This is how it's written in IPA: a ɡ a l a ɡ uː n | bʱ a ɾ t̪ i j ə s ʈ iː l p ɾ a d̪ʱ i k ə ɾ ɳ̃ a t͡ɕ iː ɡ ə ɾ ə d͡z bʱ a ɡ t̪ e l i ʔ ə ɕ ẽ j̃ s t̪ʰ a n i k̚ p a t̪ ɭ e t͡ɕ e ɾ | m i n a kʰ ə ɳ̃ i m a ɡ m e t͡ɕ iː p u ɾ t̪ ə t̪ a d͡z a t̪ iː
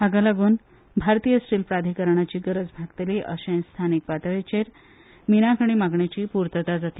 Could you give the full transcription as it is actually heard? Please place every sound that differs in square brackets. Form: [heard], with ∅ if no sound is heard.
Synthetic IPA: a ɡ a l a ɡ uː n | bʱ a ɾ t̪ i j ə s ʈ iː l p ɾ a d̪ʱ i k ə ɾ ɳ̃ a t͡ɕ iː ɡ ə ɾ ə d͡z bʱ a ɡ t̪ e l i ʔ ə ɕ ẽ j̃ s t̪ʰ a n i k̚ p a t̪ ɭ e t͡ɕ e ɾ | m i n a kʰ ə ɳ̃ i m a ɡ [ɳ] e t͡ɕ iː p u ɾ t̪ ə t̪ a d͡z a t̪ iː